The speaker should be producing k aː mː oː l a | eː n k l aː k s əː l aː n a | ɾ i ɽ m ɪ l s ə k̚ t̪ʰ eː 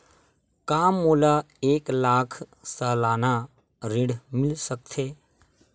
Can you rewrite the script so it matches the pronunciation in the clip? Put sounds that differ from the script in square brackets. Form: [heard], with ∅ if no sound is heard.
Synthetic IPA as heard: k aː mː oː l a | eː [∅] k l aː [kʰ] s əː l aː n a | ɾ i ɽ m ɪ l s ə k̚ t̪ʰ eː